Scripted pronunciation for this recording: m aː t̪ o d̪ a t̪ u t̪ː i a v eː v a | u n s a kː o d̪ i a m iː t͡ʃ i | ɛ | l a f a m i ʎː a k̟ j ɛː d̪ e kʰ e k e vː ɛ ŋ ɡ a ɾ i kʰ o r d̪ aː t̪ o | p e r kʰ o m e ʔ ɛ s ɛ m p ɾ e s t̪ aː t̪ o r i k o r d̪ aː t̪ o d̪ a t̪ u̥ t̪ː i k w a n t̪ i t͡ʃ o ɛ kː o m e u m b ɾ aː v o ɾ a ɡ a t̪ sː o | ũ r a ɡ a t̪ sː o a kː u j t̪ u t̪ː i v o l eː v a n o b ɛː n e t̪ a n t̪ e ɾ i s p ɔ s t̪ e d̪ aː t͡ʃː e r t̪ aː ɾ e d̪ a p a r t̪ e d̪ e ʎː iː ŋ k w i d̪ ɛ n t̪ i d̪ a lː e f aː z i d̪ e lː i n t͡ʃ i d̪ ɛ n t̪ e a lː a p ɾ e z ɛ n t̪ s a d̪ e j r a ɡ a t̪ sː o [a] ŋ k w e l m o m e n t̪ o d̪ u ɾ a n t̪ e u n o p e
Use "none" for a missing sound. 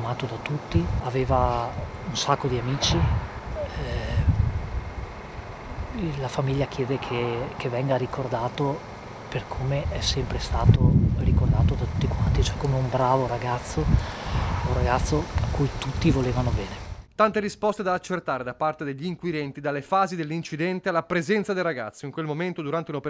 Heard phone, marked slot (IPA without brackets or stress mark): i